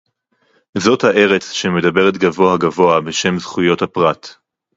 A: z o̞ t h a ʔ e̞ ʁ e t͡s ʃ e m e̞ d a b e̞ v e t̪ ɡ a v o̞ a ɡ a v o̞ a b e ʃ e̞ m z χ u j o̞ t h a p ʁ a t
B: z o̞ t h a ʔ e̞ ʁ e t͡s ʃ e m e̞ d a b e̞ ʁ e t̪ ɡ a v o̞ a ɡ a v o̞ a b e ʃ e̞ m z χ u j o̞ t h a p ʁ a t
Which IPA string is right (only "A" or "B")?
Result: B